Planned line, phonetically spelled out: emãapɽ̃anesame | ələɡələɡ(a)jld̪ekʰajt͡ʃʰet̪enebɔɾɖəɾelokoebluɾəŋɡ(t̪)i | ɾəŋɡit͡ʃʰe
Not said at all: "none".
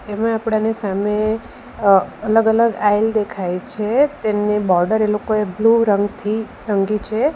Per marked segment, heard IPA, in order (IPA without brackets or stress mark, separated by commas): a, t̪ʰ